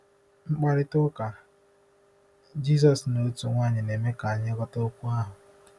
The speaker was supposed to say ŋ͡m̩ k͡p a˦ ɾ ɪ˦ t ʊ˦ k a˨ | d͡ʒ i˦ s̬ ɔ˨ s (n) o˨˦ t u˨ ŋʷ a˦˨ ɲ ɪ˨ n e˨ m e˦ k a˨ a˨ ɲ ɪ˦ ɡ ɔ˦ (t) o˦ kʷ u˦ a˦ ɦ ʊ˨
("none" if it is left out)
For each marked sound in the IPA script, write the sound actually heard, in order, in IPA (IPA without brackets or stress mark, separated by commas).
n, t